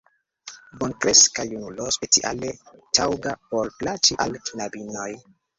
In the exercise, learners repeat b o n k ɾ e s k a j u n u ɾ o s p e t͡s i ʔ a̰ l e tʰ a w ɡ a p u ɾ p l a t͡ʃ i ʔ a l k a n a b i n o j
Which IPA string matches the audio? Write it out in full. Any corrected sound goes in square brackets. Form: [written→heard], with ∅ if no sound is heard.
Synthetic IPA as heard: b o n k ɾ e s k a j u n u [ɾ→l] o s p e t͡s i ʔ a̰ l e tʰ a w ɡ a p [u→o] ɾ p l a t͡ʃ i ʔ a l k [a→i] n a b i n o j